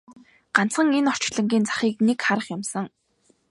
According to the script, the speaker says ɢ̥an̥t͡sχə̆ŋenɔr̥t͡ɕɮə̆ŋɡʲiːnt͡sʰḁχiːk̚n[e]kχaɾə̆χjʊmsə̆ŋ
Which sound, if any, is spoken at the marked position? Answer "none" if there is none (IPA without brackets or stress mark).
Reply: e